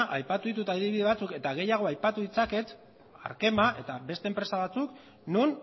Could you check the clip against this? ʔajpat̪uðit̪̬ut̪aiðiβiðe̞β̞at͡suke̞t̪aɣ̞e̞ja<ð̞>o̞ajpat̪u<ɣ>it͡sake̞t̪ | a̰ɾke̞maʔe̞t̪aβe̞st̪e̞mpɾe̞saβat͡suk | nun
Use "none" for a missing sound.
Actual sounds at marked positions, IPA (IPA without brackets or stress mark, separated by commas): ɣ̞, ð